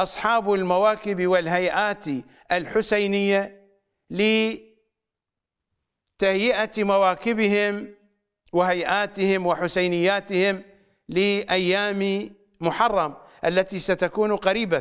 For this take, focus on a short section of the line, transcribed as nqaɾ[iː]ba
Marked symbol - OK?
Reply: yes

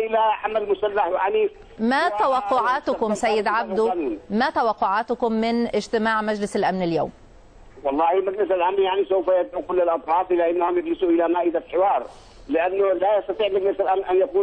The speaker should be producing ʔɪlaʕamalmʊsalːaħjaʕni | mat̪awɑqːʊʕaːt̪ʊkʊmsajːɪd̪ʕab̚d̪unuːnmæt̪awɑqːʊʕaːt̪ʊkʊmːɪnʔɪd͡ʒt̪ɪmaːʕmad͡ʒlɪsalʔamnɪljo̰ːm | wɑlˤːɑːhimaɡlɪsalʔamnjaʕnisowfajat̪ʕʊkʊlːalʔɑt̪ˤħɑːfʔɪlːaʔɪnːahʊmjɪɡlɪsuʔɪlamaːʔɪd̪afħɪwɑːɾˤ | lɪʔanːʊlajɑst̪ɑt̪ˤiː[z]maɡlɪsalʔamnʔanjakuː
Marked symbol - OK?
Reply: no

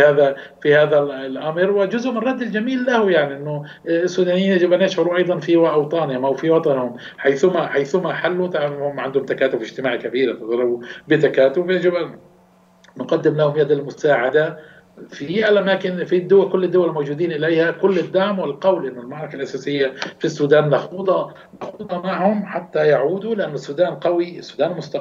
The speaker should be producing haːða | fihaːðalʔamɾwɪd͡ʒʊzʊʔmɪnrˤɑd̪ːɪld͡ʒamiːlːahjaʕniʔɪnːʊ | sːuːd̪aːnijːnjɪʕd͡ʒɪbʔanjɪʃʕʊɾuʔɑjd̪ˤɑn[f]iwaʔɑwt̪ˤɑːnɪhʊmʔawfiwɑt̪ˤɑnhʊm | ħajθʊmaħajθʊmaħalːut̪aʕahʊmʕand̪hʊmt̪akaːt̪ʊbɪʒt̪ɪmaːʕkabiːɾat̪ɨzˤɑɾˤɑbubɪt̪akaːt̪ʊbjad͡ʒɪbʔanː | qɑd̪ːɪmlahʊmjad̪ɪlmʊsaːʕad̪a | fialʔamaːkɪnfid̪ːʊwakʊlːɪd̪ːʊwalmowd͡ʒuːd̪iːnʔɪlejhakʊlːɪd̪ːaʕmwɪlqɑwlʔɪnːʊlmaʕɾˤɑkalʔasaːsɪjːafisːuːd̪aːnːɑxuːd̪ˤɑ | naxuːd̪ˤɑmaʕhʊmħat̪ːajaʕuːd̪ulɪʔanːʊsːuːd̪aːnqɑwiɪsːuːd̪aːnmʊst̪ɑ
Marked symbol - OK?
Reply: yes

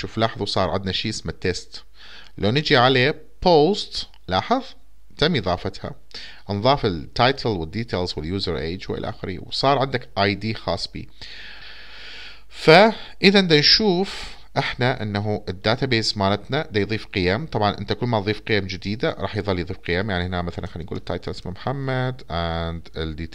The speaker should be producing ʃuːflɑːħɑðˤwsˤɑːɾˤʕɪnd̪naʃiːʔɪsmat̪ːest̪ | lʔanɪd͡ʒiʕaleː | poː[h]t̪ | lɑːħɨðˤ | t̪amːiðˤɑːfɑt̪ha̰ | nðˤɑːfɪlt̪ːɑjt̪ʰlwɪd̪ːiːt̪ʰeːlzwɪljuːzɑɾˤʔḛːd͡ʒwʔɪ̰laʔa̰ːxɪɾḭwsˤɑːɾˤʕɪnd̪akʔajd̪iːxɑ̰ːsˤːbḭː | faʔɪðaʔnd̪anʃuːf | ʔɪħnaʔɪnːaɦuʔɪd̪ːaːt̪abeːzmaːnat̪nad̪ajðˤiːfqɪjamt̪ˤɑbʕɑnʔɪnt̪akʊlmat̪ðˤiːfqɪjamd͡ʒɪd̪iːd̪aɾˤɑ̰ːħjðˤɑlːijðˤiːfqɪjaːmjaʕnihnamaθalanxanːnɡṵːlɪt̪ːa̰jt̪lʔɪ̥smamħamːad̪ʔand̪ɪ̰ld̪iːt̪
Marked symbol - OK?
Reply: no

